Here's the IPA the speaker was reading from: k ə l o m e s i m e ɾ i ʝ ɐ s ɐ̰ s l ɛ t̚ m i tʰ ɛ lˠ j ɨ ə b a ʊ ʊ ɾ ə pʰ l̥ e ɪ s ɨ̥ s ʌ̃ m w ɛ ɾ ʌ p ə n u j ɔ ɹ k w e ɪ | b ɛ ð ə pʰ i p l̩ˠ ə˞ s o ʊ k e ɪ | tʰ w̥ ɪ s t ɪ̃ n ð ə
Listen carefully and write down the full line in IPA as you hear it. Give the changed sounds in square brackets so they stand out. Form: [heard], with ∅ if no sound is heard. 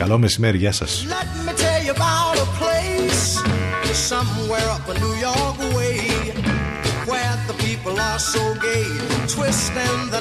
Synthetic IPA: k [ɐ] l o m e s i m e ɾ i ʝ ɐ s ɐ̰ s l ɛ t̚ m i tʰ ɛ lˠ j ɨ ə b a ʊ ʊ ɾ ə pʰ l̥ e ɪ s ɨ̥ s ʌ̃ m w ɛ [ɹ] ʌ p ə n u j ɔ ɹ k w e ɪ | [w] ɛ ð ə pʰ i p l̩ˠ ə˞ s o ʊ [ɡ] e ɪ | tʰ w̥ ɪ s t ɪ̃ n ð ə